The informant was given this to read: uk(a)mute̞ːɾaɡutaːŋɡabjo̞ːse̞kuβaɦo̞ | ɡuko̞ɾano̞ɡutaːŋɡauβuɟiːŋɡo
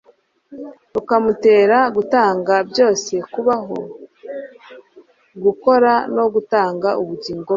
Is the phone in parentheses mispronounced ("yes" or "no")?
no